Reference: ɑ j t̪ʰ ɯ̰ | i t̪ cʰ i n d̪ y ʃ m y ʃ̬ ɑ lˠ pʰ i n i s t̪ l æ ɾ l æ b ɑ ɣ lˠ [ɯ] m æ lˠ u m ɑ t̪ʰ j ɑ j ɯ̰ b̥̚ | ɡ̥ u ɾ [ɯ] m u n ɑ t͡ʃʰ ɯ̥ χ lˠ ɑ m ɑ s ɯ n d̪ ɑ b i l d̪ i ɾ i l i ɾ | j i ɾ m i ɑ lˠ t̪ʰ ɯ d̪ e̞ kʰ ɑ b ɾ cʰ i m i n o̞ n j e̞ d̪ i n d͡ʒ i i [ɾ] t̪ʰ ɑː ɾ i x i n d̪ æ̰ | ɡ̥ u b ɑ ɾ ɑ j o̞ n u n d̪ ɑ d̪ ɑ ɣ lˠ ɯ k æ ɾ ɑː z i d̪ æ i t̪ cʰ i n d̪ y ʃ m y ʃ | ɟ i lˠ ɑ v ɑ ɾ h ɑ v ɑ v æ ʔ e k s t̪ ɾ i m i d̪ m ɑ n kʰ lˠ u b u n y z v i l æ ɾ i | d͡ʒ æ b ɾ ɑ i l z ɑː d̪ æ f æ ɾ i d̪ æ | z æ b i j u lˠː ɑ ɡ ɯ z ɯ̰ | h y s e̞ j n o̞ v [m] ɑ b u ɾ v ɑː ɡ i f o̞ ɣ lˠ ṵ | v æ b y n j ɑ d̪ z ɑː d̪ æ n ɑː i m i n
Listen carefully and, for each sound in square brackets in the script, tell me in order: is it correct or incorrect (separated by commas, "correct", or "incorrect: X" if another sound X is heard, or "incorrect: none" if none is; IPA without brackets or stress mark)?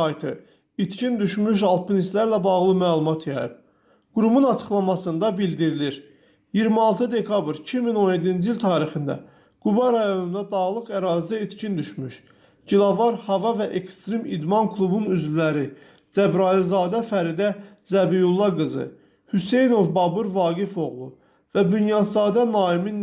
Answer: correct, incorrect: u, incorrect: l, incorrect: b